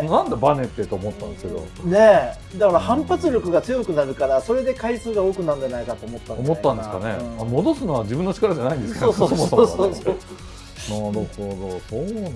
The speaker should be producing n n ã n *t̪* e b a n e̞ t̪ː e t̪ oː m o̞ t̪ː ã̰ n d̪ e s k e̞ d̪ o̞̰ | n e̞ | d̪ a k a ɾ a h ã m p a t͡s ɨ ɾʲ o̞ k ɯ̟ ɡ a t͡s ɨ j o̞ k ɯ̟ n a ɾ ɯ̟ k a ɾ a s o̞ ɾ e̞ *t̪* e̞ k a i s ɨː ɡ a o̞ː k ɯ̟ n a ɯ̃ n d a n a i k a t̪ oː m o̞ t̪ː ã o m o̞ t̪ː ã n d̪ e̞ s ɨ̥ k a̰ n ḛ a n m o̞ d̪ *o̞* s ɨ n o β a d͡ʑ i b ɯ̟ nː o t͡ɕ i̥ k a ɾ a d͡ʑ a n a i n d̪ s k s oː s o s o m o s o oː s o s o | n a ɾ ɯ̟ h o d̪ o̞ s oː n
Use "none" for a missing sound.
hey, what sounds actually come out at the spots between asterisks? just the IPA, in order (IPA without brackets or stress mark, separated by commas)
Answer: d̪, d̪, o̞